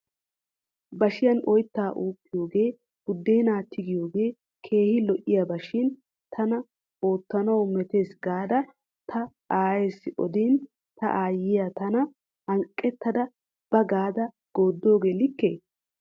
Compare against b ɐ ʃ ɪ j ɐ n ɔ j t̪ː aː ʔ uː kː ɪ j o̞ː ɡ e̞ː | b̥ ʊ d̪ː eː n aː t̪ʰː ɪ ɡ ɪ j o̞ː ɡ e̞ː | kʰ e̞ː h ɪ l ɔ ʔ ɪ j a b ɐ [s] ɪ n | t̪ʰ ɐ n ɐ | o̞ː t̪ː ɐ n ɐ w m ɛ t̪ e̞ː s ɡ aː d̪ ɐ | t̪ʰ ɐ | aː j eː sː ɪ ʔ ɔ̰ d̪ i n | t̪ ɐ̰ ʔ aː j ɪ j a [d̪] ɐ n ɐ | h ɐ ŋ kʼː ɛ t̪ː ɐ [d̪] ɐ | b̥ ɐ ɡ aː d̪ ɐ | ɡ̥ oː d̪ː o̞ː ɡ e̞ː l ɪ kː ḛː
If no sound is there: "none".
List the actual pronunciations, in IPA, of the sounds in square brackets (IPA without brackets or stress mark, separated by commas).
ʃ, t̪, d̪